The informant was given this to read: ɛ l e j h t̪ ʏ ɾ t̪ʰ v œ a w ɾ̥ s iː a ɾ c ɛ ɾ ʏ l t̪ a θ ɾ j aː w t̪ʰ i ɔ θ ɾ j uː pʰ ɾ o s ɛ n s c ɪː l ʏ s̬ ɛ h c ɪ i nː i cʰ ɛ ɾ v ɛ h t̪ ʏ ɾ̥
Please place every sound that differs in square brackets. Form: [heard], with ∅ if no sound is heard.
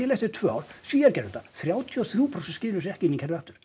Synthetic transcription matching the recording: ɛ l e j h t̪ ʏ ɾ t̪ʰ v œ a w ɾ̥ s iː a ɾ c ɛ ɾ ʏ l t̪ a θ ɾ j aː w t̪ʰ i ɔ θ ɾ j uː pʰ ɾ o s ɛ n s c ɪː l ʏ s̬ ɛ h c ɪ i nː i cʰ ɛ ɾ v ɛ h t̪ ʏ ɾ̥